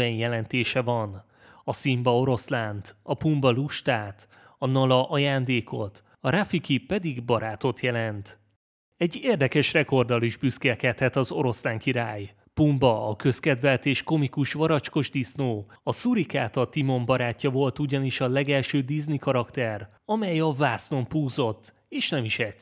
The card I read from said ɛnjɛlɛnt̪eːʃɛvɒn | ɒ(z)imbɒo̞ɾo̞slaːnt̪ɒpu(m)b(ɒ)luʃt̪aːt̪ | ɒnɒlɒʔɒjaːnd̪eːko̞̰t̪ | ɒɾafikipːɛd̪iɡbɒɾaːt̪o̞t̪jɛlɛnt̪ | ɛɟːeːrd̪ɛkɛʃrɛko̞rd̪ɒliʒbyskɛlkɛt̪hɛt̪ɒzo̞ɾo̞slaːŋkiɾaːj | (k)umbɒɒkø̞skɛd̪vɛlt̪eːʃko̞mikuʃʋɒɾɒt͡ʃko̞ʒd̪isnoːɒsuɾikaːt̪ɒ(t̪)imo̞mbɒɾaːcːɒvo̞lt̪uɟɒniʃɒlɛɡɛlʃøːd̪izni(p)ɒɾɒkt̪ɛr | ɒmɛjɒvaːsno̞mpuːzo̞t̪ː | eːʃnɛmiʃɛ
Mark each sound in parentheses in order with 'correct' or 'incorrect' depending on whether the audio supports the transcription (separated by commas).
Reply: incorrect, correct, correct, incorrect, correct, incorrect